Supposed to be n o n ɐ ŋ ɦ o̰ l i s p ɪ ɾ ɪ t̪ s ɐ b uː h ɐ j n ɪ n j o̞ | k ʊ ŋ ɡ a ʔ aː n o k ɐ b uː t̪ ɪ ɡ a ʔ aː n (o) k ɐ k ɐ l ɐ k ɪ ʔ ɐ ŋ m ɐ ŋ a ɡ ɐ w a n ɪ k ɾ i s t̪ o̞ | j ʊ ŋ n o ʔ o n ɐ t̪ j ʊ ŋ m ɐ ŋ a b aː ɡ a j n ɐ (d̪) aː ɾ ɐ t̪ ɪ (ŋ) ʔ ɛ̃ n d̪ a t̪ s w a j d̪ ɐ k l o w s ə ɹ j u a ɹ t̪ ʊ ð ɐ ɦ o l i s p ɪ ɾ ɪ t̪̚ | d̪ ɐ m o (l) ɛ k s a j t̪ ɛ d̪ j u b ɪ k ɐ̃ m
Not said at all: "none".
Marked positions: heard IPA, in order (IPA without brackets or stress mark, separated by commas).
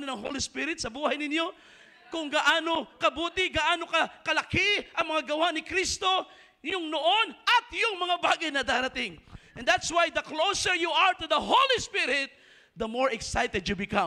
o, d̪, ŋ, ɹ